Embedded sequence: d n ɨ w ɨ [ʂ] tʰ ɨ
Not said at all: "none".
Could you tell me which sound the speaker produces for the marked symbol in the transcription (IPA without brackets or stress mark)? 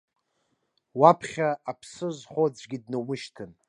ʃ